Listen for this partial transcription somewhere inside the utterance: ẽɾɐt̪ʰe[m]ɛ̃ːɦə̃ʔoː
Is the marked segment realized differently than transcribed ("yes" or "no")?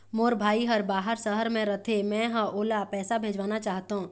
no